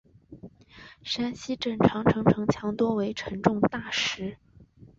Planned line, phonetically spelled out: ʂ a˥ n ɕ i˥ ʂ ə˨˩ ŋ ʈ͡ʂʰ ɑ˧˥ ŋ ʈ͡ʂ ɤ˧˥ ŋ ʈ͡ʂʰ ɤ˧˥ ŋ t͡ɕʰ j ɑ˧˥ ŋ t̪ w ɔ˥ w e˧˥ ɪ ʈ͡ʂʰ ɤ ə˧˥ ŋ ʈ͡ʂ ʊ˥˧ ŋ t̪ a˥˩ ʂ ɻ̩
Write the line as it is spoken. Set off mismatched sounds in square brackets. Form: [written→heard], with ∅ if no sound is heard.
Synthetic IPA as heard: ʂ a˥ n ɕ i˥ [ʂ→ʈ͡ʂ] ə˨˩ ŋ ʈ͡ʂʰ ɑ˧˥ ŋ [ʈ͡ʂ→ʈ͡ʂʰ] ɤ˧˥ ŋ ʈ͡ʂʰ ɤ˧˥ ŋ t͡ɕʰ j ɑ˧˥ ŋ t̪ w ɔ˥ w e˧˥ ɪ ʈ͡ʂʰ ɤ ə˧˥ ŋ ʈ͡ʂ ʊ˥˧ ŋ t̪ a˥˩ ʂ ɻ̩